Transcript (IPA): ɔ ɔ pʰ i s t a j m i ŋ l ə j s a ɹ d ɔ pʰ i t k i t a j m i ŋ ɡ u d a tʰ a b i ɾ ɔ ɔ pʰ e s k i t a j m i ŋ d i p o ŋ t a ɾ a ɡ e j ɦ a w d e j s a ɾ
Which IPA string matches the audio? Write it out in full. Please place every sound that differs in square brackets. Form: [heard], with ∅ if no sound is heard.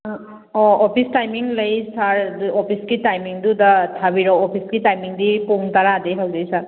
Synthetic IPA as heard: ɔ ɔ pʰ i s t a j m i ŋ l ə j s a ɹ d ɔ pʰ i [s] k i t a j m i ŋ [d] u d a tʰ a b i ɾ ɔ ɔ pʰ [i] s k i t a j m i ŋ d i p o ŋ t a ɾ a [d] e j ɦ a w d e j s a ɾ